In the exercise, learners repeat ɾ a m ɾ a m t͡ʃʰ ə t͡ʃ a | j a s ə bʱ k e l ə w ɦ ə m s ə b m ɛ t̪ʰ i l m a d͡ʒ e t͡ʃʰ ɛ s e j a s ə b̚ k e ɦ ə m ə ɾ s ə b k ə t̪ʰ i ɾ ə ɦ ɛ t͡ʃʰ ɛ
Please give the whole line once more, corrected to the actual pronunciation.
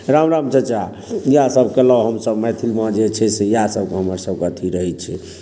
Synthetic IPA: ɾ a m ɾ a m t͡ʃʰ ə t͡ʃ a | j a s ə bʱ k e l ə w ɦ ə m s ə b m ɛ t̪ʰ i l m a d͡ʒ e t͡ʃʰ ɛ s e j a s ə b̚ k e ɦ ə m ə ɾ s ə b k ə t̪ʰ i ɾ ə ɦ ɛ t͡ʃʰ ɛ